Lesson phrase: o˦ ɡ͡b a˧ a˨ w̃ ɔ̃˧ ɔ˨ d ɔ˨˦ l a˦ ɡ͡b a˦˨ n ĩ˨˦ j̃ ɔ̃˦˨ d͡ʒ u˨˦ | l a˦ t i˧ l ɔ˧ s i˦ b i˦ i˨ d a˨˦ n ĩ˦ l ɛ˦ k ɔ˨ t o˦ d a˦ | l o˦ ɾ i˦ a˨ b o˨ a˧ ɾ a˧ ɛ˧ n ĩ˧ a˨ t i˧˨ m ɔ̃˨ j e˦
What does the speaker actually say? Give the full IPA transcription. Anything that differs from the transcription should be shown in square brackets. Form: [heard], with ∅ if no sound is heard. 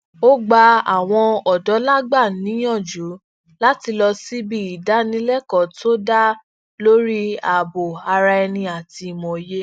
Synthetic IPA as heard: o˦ ɡ͡b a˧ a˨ w̃ ɔ̃˧ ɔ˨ d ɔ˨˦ l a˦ ɡ͡b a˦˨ n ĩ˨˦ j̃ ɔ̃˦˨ d͡ʒ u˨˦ | l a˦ t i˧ l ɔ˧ s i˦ b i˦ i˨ d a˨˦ n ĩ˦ l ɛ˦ k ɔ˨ t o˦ d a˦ | l o˦ ɾ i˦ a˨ b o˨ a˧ ɾ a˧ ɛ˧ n ĩ˧ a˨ t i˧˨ m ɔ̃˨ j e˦